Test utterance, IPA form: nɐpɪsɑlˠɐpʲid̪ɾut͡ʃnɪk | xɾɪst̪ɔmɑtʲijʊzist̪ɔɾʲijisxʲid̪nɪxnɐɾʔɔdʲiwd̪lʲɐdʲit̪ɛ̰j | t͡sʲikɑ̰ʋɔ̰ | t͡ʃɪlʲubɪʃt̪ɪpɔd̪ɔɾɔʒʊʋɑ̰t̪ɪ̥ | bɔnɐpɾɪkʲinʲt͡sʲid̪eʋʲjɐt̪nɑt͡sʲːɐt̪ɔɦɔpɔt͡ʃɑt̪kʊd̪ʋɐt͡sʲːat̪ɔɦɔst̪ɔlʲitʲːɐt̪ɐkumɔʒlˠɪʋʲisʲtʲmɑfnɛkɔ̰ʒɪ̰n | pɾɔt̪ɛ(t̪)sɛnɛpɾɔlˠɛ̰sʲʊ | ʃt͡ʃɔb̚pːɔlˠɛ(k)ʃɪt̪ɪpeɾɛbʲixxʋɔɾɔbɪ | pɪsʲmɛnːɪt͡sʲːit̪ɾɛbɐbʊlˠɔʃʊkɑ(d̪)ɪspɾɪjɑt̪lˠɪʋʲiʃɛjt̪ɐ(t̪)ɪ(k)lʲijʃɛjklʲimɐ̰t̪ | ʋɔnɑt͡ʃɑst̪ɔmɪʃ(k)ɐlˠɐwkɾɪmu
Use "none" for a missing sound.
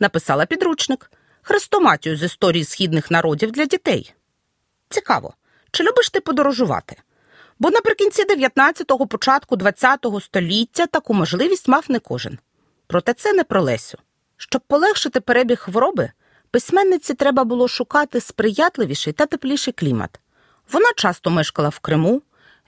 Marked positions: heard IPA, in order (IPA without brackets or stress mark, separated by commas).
t̪, x, t̪, t̪, p, k